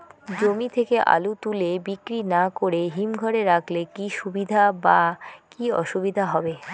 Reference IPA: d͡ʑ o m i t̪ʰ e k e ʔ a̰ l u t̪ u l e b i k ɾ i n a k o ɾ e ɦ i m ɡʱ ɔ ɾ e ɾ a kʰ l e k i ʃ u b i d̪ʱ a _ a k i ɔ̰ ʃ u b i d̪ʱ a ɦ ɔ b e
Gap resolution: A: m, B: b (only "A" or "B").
B